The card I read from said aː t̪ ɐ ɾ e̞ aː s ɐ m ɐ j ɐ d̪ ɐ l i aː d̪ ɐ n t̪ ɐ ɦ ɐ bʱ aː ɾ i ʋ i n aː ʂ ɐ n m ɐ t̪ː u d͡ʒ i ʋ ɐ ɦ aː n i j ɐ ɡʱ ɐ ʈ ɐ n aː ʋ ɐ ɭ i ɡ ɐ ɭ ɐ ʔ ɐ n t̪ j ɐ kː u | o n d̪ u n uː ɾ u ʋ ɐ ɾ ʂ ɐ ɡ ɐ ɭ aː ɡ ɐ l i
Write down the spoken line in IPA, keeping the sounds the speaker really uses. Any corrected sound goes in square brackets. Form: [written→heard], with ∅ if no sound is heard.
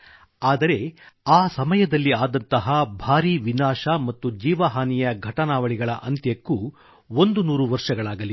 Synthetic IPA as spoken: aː [t̪→d̪] ɐ ɾ e̞ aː s ɐ m ɐ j ɐ d̪ ɐ [l→lː] i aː d̪ ɐ n t̪ ɐ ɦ ɐ bʱ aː ɾ i ʋ i n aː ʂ ɐ [n→∅] m ɐ t̪ː u d͡ʒ [i→iː] ʋ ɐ ɦ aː n i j ɐ ɡʱ ɐ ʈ ɐ n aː ʋ ɐ ɭ i ɡ ɐ ɭ ɐ ʔ ɐ n t̪ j ɐ kː u | o n d̪ u n uː ɾ u ʋ ɐ ɾ ʂ ɐ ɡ ɐ ɭ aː ɡ ɐ l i